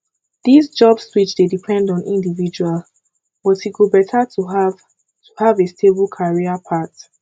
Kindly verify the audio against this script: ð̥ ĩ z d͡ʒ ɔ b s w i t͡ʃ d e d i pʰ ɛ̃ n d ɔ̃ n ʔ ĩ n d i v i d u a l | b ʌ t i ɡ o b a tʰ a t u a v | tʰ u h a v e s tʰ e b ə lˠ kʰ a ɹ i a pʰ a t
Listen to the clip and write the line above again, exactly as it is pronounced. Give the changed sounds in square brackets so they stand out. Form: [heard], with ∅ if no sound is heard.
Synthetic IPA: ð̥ [i] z d͡ʒ ɔ b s w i t͡ʃ d e d i pʰ ɛ̃ n d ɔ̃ n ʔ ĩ n d i v i [d͡ʒ] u a l | b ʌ t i ɡ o b [ɛ] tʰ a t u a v | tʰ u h a v e s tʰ e b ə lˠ kʰ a ɹ i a pʰ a t